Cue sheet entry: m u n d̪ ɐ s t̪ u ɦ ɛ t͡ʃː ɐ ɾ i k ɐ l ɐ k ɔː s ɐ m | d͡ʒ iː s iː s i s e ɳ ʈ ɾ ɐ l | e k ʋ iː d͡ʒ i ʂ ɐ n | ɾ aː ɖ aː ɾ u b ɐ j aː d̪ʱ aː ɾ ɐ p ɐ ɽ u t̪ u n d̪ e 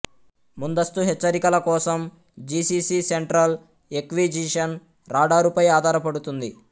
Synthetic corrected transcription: m u n d̪ ɐ s t̪ u ɦ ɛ t͡ʃː ɐ ɾ i k ɐ l ɐ k ɔː s ɐ m | d͡ʒ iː s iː s i s e ɳ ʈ ɾ ɐ l | e k ʋ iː d͡ʒ i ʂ ɐ n | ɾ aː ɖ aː ɾ u p ɐ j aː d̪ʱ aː ɾ ɐ p ɐ ɽ u t̪ u n d̪ i